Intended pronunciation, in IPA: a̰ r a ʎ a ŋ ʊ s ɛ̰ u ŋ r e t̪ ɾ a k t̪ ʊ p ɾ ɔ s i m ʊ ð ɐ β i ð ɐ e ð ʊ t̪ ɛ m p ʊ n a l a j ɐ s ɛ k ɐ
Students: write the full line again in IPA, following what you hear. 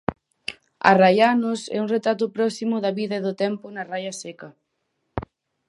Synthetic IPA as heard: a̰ r a j a n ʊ s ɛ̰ u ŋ r e t̪ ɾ a t̪ ʊ p ɾ ɔ s i m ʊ ð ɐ β i ð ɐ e ð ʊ t̪ ɛ m p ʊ n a r a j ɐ s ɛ k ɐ

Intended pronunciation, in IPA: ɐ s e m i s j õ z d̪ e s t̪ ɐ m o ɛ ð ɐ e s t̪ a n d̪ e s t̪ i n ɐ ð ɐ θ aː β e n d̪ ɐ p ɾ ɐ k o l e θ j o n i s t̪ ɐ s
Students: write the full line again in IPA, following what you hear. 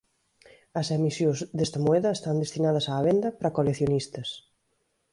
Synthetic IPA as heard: ɐ s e m i s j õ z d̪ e s t̪ ɐ m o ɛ ð ɐ e s t̪ a n d̪ e s t̪ i n a ð ɐ s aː β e n d̪ ɐ p ɾ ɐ k o l e θ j o n i s t̪ ɐ s

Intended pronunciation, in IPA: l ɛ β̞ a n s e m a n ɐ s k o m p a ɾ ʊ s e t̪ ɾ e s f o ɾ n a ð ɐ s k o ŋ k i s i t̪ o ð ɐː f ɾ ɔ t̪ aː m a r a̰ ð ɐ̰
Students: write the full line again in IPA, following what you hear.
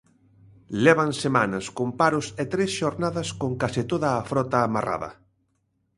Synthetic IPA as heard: l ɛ β̞ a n s e m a n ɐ s k o m p a ɾ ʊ s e t̪ ɾ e s ʃ o ɾ n a ð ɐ s k o ŋ k a s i t̪ o ð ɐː f ɾ ɔ t̪ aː m a r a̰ ð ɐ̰

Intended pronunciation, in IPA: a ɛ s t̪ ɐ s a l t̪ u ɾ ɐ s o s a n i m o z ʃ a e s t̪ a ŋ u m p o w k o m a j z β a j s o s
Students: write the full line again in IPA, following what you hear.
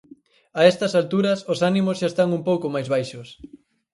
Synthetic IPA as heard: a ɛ s t̪ ɐ s a l t̪ u ɾ ɐ s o s a n i m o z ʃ a e s t̪ a ŋ u m p o w k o m a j z β a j ʃ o s

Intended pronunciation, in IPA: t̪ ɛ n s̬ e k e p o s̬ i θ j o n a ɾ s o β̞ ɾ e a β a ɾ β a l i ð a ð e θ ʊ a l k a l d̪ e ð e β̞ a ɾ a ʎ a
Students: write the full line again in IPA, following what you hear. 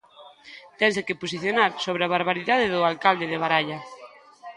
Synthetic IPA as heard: t̪ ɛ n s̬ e k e p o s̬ i θ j o n a ɾ s o β̞ ɾ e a β a ɾ β a ɾ i ð a ð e ð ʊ a l k a l d̪ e ð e β̞ a ɾ a ʎ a

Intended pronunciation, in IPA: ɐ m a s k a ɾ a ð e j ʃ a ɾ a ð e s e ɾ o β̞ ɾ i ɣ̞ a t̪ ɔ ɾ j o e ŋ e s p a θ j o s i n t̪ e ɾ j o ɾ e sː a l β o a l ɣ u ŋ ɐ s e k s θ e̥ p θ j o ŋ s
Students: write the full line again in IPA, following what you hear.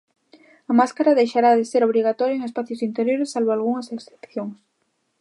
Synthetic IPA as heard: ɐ m a s k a ɾ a ð e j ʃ a ɾ a ð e s e ɾ o β̞ ɾ i ɣ̞ a t̪ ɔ ɾ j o e ŋ e s p a θ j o s i n t̪ e ɾ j o ɾ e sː a l β o a l ɣ u ŋ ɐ s e k s θ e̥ p θ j o ŋ s

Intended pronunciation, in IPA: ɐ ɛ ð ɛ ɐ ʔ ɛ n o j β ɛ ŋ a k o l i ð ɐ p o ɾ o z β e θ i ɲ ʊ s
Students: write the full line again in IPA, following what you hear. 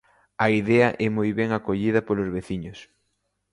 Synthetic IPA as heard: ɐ i ð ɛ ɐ ʔ ɛ m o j β ɛ ŋ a k o ʎ i ð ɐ p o l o z β e θ i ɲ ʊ s

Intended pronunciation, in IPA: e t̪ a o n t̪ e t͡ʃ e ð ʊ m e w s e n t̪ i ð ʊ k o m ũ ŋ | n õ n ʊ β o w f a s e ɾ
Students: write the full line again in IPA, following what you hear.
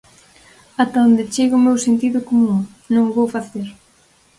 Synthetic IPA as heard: a t̪ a o n d̪ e t͡ʃ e ɣ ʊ m e w s e n t̪ i ð ʊ k o m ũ ŋ | n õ ŋ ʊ β o w f a θ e ɾ

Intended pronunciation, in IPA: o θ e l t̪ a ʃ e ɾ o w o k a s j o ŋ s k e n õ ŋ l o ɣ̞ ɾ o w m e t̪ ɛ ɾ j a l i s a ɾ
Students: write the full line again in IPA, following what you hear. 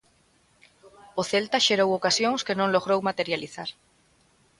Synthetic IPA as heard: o θ e l t̪ a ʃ e ɾ o w o k a s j o ŋ s k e n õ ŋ l o ɣ̞ ɾ o w m a t̪ e ɾ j a l i θ a ɾ

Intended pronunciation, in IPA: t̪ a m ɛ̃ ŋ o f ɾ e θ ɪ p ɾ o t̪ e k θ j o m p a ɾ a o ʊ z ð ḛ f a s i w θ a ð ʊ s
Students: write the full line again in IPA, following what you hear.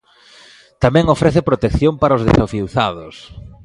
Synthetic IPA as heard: t̪ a m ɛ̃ ŋ o f ɾ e θ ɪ p ɾ o t̪ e k θ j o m p a ɾ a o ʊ z ð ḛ s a f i w θ a ð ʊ s

